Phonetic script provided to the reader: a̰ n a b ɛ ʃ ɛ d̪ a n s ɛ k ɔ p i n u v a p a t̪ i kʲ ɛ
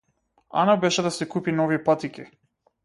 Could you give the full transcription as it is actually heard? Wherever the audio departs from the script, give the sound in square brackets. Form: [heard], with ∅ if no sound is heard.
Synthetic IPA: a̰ n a b ɛ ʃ ɛ d̪ a [∅] s ɛ k [u] p i n [ɔ] v [i] p a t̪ i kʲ [i]